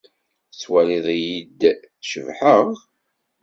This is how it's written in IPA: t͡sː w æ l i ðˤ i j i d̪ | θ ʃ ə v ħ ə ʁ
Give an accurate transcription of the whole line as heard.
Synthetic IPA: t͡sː w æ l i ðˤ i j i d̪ | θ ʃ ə v ħ ə ʁ